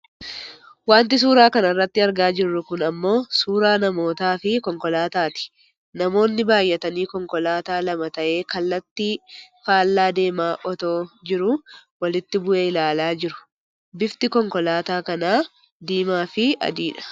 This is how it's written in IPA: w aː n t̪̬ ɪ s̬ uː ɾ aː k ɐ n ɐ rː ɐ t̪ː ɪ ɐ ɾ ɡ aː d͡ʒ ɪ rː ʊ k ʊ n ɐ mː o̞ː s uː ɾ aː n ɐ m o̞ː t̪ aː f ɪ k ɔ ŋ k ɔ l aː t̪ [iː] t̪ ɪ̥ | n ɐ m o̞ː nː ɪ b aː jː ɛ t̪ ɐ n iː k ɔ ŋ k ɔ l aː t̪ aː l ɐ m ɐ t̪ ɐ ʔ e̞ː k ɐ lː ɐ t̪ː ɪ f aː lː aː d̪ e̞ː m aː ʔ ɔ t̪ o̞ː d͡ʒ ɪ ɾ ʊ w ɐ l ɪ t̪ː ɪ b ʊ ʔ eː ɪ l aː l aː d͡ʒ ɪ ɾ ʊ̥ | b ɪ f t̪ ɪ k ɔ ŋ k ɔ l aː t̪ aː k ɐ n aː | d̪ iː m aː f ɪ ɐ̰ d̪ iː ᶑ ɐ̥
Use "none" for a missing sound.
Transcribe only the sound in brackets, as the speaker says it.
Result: aː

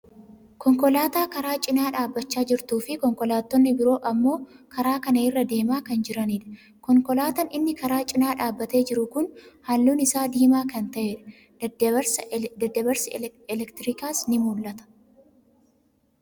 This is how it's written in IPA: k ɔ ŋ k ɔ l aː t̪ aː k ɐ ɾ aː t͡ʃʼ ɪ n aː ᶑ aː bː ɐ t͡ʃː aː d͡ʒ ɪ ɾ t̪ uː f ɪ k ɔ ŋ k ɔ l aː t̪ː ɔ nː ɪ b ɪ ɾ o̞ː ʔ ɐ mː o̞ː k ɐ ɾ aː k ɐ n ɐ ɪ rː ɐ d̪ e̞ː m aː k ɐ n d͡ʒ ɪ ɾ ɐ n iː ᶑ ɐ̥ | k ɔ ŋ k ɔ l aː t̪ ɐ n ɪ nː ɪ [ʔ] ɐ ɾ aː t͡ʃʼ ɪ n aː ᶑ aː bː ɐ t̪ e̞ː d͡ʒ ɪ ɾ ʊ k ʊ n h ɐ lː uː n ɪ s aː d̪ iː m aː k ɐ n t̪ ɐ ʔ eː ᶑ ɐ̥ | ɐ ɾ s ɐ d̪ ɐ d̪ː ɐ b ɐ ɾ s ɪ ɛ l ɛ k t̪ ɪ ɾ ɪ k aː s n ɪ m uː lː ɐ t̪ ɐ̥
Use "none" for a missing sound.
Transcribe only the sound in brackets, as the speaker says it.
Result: k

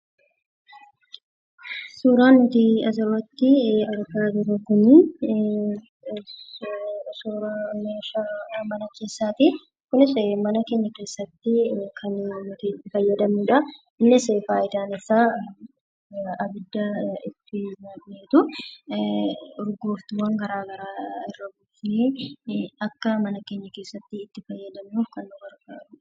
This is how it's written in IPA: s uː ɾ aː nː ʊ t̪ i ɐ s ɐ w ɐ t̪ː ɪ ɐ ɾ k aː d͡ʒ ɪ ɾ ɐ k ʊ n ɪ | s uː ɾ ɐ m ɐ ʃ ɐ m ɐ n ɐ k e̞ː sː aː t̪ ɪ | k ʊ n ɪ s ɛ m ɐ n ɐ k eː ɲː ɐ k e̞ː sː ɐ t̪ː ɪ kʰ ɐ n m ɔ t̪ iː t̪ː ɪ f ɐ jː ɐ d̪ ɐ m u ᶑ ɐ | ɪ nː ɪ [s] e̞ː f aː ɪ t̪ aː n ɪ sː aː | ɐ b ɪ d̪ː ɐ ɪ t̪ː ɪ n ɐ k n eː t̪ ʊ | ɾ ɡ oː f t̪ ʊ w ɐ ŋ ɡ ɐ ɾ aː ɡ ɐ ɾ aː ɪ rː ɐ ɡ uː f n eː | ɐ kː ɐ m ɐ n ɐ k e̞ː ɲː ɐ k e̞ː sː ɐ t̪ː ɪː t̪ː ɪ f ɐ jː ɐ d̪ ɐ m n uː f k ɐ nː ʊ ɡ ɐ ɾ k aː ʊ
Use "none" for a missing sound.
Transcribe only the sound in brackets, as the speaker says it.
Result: s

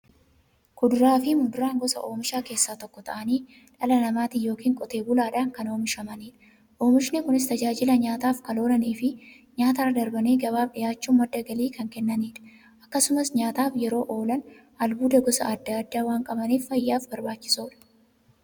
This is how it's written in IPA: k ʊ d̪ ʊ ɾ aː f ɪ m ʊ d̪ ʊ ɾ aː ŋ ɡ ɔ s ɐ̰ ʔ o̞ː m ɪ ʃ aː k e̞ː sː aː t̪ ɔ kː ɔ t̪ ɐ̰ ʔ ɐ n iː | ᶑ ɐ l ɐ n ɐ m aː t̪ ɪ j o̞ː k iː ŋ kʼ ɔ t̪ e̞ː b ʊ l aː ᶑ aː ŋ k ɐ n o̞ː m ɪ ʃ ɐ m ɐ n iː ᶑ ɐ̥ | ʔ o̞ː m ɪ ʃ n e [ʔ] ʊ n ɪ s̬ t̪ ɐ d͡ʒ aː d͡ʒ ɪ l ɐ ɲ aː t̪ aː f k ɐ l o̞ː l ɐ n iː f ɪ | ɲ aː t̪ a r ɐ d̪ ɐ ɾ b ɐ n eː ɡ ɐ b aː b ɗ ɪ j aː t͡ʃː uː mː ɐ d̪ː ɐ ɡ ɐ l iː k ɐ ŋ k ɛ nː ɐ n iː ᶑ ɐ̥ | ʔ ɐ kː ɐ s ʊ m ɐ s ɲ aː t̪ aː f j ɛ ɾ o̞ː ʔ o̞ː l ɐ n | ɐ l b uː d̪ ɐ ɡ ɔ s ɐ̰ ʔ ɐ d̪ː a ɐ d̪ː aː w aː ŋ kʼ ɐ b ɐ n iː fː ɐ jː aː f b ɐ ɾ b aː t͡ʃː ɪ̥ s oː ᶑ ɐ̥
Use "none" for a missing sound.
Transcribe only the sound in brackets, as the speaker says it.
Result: k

